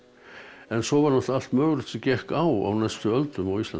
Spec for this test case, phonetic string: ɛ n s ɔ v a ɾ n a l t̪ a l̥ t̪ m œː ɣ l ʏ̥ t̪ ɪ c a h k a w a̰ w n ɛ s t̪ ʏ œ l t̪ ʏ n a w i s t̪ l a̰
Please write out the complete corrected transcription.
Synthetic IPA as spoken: ɛ n s ɔ v a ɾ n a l t̪ a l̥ t̪ m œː ɣ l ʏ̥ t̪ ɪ c ɛ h k a w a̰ w n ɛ s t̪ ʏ œ l t̪ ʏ m a w i s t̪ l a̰